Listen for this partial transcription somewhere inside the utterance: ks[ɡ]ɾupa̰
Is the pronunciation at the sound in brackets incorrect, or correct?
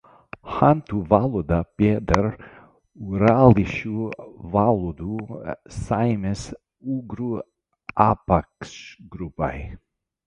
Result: correct